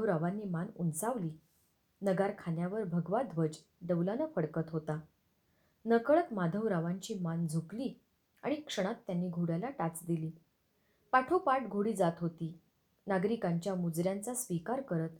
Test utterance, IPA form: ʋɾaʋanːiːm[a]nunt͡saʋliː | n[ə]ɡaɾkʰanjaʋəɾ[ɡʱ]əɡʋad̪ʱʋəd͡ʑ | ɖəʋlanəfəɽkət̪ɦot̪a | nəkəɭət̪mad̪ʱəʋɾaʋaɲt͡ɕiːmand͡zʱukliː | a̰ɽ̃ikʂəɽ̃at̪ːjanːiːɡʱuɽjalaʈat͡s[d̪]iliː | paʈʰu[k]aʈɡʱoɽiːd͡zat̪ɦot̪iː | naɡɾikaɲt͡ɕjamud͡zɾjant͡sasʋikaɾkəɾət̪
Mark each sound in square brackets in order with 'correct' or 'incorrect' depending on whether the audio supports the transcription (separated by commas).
correct, correct, incorrect, correct, incorrect